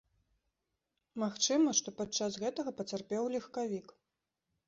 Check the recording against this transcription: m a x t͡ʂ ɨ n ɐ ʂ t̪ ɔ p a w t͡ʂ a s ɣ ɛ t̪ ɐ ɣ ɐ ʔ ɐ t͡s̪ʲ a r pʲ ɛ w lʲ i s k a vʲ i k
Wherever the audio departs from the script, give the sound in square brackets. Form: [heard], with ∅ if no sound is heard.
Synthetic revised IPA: m a x t͡ʂ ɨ [m] ɐ ʂ t̪ ɔ p a [∅] t͡ʂ a s ɣ ɛ t̪ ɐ ɣ ɐ [p] ɐ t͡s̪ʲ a r pʲ ɛ w lʲ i [x] k a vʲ i k